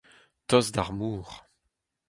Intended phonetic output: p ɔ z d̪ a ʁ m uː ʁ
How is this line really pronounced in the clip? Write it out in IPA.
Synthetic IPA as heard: t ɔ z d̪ a ʁ m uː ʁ